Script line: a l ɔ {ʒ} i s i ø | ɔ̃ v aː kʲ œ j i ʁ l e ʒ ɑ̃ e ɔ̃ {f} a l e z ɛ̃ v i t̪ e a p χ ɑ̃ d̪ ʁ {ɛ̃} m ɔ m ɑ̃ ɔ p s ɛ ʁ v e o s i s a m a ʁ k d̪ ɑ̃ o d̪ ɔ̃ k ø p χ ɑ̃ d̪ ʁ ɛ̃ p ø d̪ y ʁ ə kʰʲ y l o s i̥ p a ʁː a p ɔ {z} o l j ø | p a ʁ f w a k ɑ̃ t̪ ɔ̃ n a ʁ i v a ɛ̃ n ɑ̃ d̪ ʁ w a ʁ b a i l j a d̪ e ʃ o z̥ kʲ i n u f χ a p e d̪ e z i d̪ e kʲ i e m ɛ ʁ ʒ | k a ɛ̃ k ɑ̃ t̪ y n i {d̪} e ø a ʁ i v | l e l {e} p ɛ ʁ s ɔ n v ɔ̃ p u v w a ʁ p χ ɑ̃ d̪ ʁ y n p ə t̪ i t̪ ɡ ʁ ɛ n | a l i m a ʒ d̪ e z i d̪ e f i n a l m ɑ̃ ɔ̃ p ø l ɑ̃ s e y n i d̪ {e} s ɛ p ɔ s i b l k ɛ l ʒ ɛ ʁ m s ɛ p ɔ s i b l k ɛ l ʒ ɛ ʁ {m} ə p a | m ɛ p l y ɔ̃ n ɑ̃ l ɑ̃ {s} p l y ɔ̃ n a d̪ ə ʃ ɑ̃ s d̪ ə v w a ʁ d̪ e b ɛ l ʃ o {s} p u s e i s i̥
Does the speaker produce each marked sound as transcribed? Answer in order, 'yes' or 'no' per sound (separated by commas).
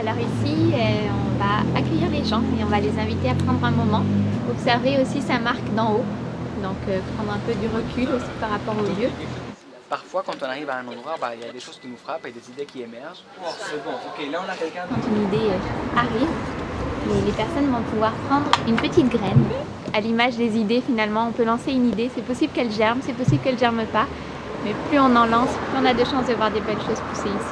no, no, yes, no, yes, yes, yes, yes, yes, no